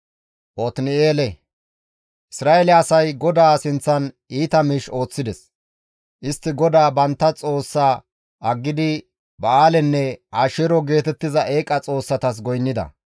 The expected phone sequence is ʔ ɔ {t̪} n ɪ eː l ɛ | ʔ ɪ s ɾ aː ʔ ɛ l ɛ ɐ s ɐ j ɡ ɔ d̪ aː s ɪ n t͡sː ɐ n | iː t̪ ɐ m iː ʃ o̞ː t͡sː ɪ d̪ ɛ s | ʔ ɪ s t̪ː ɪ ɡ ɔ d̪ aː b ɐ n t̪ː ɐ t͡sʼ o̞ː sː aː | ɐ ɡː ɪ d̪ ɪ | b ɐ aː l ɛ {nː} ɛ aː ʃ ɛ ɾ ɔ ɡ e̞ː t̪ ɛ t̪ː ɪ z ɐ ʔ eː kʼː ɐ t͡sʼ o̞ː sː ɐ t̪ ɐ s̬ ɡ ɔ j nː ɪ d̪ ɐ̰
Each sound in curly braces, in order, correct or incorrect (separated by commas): correct, correct